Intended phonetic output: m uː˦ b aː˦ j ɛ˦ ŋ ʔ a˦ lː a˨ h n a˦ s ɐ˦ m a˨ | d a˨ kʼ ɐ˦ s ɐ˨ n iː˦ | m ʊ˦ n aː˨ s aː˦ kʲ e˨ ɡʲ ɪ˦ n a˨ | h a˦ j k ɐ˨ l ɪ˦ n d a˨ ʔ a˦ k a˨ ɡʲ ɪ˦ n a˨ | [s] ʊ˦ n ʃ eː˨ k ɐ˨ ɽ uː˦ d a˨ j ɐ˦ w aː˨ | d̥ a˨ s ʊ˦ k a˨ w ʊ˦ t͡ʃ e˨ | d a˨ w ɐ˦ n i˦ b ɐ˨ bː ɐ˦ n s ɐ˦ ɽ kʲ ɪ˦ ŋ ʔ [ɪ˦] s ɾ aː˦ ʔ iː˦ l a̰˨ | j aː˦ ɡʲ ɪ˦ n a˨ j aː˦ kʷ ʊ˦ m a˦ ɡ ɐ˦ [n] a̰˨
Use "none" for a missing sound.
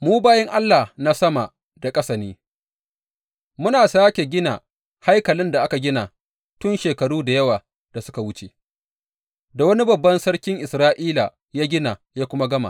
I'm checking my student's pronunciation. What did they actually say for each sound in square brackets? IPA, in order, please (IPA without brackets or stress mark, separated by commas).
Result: t, ɪ˨, m